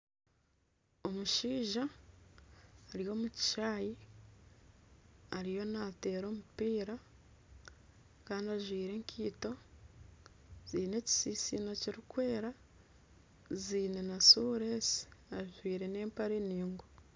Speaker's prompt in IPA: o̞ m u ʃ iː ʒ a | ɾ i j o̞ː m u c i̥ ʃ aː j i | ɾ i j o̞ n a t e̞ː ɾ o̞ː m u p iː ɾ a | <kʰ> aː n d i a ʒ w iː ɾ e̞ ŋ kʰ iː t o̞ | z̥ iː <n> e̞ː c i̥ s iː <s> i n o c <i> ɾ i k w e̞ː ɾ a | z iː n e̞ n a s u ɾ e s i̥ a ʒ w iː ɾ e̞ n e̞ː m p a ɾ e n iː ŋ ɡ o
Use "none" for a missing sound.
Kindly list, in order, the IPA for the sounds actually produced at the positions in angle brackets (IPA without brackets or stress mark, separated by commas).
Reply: k, n, s, i